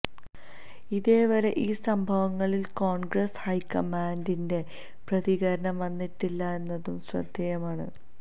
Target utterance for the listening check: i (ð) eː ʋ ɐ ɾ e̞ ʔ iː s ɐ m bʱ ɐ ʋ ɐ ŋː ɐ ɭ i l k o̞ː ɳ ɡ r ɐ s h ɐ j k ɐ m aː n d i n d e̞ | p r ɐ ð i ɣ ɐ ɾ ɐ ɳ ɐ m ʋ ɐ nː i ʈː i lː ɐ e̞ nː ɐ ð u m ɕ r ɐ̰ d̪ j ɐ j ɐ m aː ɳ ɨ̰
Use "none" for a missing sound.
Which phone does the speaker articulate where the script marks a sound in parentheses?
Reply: ð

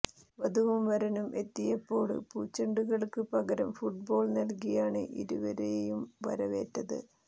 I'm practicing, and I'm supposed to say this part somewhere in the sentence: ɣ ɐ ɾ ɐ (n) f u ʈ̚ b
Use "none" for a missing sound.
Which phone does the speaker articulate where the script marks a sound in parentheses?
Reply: m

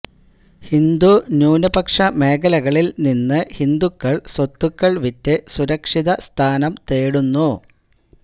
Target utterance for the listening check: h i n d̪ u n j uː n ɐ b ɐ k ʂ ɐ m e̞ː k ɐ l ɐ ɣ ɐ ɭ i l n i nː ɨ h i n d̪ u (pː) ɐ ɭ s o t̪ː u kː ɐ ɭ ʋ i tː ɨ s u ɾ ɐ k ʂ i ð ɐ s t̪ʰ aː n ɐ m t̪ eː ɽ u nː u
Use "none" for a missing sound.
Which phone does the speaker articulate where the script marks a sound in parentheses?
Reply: kː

